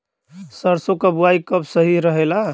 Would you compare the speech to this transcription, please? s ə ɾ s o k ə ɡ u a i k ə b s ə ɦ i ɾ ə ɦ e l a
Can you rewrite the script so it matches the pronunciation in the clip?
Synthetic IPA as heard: s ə ɾ s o k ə b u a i k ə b s ə ɦ i ɾ ə ɦ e l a